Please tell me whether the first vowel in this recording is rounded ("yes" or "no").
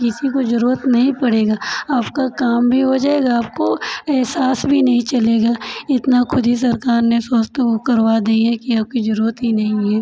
no